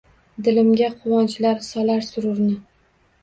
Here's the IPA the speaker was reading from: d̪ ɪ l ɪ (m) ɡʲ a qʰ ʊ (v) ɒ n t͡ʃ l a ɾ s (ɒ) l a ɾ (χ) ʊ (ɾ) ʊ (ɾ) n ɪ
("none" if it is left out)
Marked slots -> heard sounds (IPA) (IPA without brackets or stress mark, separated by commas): m, w, ɒ, s, ɾ, ɾ